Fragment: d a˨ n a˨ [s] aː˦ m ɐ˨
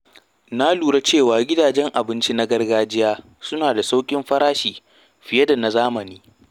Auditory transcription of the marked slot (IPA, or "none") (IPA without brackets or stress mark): z